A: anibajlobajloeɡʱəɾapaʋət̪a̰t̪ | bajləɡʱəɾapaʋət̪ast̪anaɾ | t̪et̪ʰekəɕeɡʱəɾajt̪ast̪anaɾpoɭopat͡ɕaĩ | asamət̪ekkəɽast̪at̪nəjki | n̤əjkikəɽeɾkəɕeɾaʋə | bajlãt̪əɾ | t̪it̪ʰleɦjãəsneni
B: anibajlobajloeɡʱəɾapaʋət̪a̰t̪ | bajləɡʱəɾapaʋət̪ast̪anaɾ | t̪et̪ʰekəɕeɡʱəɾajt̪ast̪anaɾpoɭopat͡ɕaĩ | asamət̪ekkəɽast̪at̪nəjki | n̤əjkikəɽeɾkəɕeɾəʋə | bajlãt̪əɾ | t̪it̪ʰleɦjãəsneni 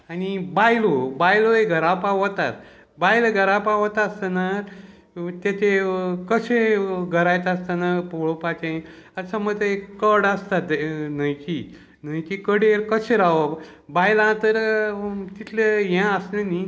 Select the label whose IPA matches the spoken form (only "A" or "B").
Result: A